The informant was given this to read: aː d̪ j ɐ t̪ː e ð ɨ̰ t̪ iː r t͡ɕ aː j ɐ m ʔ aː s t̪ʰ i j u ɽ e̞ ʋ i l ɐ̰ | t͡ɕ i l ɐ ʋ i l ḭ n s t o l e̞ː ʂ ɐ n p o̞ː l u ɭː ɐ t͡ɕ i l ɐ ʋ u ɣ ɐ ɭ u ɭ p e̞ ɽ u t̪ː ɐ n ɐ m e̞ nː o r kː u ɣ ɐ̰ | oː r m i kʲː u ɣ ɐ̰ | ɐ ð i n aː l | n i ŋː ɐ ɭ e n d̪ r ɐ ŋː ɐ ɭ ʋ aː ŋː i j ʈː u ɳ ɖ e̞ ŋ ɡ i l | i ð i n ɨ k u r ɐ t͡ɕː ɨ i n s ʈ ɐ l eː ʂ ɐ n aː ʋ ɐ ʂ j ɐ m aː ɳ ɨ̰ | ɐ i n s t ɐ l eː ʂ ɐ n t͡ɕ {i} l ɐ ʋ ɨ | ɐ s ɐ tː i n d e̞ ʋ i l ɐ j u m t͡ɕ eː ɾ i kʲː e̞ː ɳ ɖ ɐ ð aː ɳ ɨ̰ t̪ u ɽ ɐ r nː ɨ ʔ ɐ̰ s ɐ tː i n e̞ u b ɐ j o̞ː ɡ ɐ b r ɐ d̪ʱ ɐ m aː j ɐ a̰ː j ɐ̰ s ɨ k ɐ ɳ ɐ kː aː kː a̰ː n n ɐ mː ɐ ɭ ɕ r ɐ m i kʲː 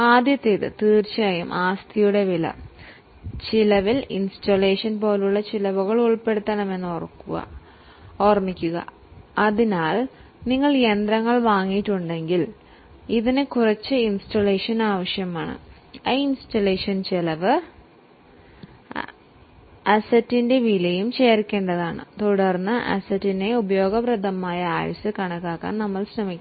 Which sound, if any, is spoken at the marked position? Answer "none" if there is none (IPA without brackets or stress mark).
e